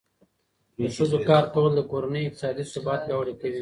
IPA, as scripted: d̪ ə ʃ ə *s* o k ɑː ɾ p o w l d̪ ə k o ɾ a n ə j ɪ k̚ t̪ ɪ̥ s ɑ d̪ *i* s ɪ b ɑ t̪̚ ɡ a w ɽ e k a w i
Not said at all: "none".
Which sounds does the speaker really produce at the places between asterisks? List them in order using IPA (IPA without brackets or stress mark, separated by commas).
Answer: z, i